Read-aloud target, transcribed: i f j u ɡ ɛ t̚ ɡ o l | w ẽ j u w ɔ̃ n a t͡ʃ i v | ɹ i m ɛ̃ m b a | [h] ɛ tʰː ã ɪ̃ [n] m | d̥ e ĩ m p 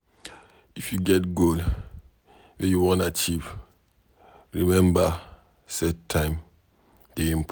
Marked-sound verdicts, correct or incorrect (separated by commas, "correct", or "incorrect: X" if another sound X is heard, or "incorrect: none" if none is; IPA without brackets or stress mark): incorrect: s, incorrect: none